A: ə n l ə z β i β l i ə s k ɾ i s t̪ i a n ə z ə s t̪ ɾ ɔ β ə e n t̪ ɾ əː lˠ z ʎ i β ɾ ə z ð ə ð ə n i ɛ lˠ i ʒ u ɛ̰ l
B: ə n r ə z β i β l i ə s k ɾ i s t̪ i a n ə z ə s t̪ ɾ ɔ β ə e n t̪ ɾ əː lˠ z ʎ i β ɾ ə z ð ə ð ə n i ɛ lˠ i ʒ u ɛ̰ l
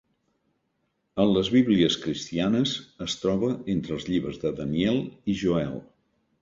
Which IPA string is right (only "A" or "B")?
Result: A